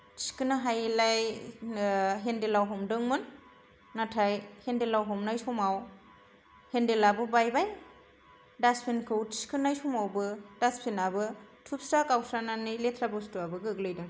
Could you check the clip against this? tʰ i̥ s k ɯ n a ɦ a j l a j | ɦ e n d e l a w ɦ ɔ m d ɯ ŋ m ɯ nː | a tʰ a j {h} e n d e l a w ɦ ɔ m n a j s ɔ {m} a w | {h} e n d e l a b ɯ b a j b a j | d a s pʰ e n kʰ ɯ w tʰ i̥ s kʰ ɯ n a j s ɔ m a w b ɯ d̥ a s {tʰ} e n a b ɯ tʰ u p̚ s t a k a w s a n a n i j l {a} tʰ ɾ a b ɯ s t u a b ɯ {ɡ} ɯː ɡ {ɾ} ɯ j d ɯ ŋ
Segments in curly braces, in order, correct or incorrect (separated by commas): correct, correct, correct, incorrect, incorrect, correct, incorrect